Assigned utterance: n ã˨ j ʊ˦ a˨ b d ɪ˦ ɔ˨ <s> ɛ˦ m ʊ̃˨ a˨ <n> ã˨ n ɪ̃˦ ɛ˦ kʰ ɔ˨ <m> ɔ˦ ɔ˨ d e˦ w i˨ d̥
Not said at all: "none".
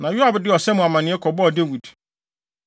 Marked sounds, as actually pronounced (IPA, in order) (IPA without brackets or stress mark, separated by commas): s, m, b